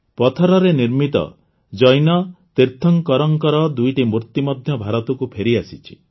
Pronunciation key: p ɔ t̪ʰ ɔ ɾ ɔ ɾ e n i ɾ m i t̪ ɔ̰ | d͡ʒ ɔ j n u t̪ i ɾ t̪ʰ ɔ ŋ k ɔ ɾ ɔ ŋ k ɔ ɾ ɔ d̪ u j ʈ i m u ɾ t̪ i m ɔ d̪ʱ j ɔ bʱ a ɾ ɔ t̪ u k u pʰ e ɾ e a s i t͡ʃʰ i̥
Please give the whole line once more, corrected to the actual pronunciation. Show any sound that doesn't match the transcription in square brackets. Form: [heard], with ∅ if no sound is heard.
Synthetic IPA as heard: p ɔ t̪ʰ ɔ ɾ ɔ ɾ e n i ɾ m i t̪ ɔ̰ | d͡ʒ ɔ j n [ɔ] t̪ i ɾ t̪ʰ ɔ ŋ k ɔ ɾ ɔ ŋ k ɔ ɾ ɔ d̪ u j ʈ i m u ɾ t̪ i m ɔ d̪ʱ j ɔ bʱ a ɾ ɔ t̪ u k u pʰ e ɾ [i] a s i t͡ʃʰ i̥

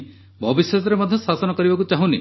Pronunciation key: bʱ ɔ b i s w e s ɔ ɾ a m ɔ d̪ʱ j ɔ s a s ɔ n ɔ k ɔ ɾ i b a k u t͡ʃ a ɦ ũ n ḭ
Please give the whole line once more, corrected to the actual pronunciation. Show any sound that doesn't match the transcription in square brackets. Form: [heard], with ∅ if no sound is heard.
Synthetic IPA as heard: bʱ ɔ b i s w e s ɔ ɾ [e] m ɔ d̪ʱ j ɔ s a s ɔ n ɔ k ɔ ɾ i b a k u t͡ʃ a ɦ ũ n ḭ

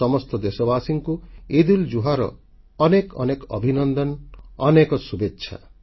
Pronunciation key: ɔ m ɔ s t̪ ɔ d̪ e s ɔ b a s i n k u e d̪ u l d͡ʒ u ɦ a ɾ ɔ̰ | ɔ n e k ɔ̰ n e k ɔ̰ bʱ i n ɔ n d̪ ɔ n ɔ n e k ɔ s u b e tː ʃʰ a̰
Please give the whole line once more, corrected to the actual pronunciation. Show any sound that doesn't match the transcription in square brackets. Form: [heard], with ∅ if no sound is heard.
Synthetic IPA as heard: ɔ m ɔ s t̪ ɔ d̪ e s ɔ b a s i [ŋ] k u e d̪ u l d͡ʒ u ɦ a ɾ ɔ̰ | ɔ n e k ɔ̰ n e k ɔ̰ bʱ i n ɔ n d̪ ɔ n ɔ n e k ɔ s u b e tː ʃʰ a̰

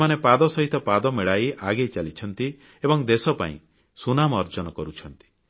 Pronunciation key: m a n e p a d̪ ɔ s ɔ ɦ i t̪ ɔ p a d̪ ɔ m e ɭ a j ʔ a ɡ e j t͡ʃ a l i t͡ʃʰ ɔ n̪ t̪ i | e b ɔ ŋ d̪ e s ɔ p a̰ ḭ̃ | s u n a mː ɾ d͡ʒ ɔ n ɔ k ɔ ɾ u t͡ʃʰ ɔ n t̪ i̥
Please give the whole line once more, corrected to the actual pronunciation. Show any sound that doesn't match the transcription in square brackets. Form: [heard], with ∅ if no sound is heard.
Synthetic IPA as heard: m a n e p a d̪ ɔ s ɔ ɦ i t̪ ɔ p a d̪ ɔ m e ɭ a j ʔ a ɡ e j t͡ʃ a l i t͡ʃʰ ɔ n̪ t̪ i | e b ɔ ŋ d̪ e s ɔ p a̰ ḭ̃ | s u n a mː ɾ d͡ʒ ɔ n ɔ k ɔ ɾ u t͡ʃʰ ɔ n t̪ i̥

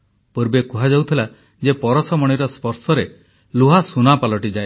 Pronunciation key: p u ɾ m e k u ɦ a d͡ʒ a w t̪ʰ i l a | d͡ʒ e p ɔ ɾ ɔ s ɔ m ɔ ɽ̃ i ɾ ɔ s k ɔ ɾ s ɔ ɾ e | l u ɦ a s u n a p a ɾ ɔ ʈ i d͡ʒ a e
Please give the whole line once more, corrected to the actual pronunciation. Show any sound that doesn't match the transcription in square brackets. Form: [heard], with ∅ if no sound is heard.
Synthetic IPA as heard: p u ɾ [b] e k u ɦ a d͡ʒ a w t̪ʰ i l a | d͡ʒ e p ɔ ɾ ɔ s ɔ m ɔ ɽ̃ i ɾ ɔ s [p] ɔ ɾ s ɔ ɾ e | l u ɦ a s u n a p a [l] ɔ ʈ i d͡ʒ a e

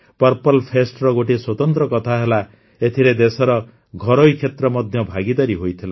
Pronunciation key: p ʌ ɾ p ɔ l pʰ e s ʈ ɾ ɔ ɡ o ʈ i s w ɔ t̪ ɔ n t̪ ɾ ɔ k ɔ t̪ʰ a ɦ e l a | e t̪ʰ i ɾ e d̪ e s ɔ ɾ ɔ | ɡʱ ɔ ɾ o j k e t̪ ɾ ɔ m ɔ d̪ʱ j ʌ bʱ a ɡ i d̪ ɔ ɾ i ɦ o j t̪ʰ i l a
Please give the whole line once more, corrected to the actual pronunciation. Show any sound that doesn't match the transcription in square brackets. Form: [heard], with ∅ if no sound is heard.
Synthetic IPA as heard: p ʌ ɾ p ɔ l pʰ e s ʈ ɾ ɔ ɡ o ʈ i s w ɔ t̪ ɔ n t̪ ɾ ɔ k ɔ t̪ʰ a ɦ e l a | e t̪ʰ i ɾ e d̪ e s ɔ ɾ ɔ | ɡʱ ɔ ɾ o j [kʰ] e t̪ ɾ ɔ m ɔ d̪ʱ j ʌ bʱ a ɡ i d̪ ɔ ɾ i ɦ o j t̪ʰ i l a

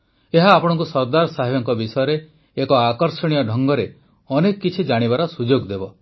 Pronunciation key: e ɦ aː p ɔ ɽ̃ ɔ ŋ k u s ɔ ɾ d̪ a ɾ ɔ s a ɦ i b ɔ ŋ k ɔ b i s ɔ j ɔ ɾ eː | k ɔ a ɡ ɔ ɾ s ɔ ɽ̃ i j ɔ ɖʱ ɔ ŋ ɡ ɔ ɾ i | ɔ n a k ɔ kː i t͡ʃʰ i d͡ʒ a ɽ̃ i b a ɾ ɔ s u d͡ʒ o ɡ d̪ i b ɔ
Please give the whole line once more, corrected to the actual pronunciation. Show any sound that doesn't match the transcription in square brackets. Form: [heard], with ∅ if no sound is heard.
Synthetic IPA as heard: e ɦ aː p ɔ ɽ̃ ɔ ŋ k u s ɔ ɾ d̪ a ɾ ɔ s a ɦ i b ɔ ŋ k ɔ b i s ɔ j ɔ ɾ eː | k ɔ a [k] ɔ ɾ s ɔ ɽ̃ i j ɔ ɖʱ ɔ ŋ ɡ ɔ ɾ [e] | ɔ n [e] k ɔ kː i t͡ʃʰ i d͡ʒ a ɽ̃ i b a ɾ ɔ s u d͡ʒ o ɡ d̪ [e] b ɔ

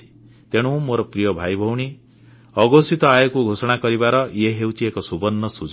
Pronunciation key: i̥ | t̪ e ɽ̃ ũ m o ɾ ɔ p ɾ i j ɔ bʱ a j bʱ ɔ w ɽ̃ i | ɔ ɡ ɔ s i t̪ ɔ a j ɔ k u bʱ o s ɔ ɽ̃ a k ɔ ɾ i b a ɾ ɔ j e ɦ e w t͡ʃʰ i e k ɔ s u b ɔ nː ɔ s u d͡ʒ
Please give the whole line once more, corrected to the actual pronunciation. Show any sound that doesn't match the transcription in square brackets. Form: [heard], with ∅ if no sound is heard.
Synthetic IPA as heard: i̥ | t̪ e ɽ̃ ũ m o ɾ ɔ p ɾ i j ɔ bʱ a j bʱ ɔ w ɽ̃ i | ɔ ɡ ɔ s i t̪ ɔ a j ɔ k u [ɡʱ] o s ɔ ɽ̃ a k ɔ ɾ i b a ɾ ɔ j e ɦ e w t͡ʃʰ i e k ɔ s u b ɔ nː ɔ s u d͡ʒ

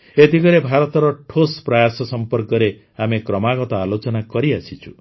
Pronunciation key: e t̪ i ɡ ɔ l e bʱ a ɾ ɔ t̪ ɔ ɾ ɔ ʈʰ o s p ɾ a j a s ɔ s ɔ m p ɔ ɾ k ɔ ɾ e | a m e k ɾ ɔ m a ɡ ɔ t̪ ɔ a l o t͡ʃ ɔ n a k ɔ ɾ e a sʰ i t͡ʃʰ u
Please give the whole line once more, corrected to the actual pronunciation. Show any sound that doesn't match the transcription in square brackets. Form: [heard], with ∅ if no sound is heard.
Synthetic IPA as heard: e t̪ i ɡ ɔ [ɾ] e bʱ a ɾ ɔ t̪ ɔ ɾ ɔ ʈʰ o s p ɾ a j a s ɔ s ɔ m p ɔ ɾ k ɔ ɾ e | a m e k ɾ ɔ m a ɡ ɔ t̪ ɔ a l o t͡ʃ ɔ n a k ɔ ɾ [i] a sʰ i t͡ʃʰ u

